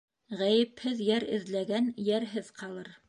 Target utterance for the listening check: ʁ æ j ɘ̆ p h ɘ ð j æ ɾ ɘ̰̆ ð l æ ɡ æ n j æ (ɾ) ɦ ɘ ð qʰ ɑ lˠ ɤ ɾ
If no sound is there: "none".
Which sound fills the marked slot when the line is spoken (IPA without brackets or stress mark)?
ɾ